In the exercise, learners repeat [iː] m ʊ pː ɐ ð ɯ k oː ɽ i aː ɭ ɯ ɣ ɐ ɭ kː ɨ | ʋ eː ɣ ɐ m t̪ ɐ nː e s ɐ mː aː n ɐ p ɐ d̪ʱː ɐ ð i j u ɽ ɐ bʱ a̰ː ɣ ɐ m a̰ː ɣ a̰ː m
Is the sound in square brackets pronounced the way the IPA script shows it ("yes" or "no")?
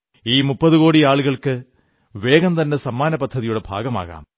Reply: yes